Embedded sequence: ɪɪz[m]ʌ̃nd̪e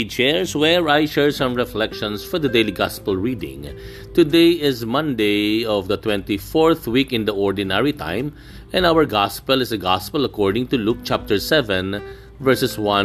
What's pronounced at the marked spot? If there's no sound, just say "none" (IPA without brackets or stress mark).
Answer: m